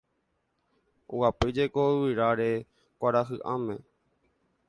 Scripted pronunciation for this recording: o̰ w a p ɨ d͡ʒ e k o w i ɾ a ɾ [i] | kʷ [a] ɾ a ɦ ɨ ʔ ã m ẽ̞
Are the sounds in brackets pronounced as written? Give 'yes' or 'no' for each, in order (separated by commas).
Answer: no, yes